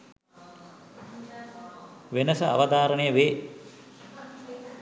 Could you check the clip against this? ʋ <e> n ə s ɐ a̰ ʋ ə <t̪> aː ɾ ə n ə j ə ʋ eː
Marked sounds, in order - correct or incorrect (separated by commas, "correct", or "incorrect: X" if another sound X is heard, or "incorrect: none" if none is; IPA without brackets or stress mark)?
correct, incorrect: d̪